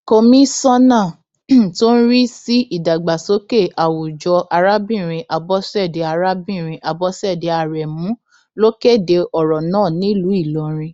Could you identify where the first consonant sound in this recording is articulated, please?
velar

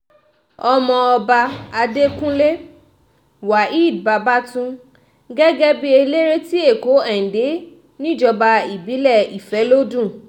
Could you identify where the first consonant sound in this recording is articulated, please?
labial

